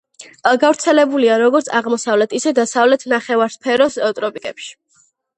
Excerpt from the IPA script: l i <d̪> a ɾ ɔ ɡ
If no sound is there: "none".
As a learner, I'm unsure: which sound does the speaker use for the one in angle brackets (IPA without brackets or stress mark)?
none